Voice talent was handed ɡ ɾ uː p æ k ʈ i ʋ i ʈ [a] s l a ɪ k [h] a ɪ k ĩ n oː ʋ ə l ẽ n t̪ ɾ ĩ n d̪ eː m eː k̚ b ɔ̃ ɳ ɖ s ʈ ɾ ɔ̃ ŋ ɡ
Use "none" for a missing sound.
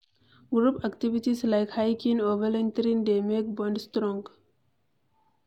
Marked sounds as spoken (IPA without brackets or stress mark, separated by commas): i, h